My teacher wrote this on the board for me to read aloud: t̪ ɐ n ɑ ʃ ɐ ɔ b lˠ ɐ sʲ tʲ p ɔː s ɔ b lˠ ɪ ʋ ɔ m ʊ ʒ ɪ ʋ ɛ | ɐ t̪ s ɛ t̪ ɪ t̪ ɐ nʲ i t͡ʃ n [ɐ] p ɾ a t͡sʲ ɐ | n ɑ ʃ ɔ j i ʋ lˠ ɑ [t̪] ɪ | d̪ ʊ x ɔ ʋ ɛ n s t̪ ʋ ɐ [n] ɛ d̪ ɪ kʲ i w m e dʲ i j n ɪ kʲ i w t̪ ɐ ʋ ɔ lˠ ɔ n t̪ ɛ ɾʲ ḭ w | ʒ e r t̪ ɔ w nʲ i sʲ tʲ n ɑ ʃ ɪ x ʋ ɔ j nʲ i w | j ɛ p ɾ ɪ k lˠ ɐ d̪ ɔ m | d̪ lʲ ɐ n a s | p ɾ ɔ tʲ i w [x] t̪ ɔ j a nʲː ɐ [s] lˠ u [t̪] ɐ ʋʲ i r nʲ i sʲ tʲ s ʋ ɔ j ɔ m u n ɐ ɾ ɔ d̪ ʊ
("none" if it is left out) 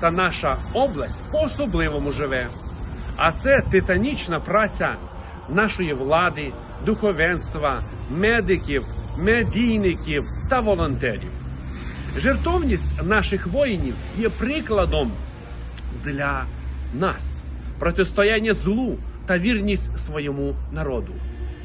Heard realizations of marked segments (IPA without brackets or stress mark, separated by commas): ɐ, d̪, m, s, z, t̪